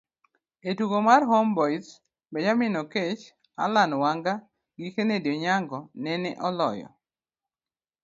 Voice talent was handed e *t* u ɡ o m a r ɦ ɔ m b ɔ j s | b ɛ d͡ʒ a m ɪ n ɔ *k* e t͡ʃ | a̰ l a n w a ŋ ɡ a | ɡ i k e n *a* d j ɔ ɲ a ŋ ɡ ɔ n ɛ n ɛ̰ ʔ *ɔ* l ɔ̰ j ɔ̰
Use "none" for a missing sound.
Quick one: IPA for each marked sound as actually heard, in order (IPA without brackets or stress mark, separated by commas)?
t, k, e, ɔ